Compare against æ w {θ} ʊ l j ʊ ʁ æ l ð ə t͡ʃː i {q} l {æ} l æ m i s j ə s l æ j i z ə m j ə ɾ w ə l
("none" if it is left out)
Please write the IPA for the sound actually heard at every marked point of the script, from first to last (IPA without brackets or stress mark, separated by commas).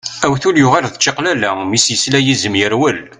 θ, q, æ